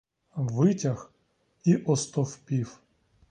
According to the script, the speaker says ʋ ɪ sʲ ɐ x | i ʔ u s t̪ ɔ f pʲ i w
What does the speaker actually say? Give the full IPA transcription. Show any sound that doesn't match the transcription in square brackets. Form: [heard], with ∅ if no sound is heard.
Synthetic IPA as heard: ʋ ɪ [tʲ] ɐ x | i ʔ [ɔ] s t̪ ɔ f pʲ i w

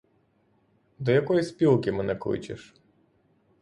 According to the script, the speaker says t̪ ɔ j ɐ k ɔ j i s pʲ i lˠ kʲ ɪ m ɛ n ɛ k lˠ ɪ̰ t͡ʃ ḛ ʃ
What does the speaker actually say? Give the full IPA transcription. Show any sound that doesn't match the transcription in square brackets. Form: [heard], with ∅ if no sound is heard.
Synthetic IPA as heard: [d̪] ɔ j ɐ k ɔ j i s pʲ i lˠ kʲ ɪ m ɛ n ɛ k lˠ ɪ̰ t͡ʃ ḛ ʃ

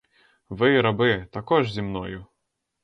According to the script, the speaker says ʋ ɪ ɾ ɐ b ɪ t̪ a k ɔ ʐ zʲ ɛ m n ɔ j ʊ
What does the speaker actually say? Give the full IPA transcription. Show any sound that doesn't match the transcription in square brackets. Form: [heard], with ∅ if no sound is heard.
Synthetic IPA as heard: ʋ ɪ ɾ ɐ b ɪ t̪ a k ɔ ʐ zʲ [i] m n ɔ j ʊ

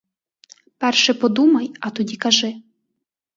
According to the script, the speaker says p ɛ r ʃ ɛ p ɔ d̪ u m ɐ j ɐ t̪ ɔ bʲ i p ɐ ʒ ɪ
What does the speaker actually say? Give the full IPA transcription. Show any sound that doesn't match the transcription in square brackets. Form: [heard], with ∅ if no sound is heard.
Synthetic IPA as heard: p ɛ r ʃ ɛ p ɔ d̪ u m ɐ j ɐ t̪ ɔ [dʲ] i [k] ɐ ʒ ɪ

